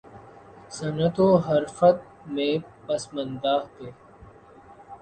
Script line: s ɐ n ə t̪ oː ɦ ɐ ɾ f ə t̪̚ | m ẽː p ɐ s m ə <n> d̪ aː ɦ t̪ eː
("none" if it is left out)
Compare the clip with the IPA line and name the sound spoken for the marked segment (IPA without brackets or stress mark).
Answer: n